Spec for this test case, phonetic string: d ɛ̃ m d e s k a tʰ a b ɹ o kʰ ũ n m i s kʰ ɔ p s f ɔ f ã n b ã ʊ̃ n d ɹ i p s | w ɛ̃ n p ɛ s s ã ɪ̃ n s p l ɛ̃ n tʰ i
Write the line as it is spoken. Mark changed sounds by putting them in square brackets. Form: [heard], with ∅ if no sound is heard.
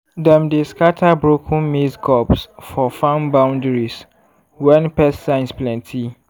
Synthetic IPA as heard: d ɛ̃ m d e s k a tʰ a b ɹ o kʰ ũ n m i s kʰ ɔ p s f ɔ f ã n b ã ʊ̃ n d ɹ i [∅] s | w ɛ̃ n p ɛ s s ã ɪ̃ n s p l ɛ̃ n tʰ i